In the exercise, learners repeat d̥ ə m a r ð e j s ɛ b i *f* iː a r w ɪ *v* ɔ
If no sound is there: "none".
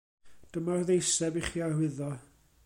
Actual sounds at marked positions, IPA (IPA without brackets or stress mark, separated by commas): χ, ð